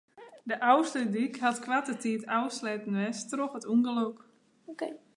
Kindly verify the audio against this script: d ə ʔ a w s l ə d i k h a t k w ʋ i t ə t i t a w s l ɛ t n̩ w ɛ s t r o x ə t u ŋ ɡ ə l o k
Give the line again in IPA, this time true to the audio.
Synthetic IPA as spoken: d ə ʔ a w s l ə d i k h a t k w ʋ a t ə t i t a w s l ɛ t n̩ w ɛ s t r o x ə t u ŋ ɡ ə l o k